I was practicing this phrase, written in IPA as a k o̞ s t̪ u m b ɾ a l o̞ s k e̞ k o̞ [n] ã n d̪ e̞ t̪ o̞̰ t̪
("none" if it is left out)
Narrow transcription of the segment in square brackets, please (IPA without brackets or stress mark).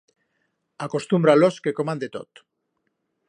m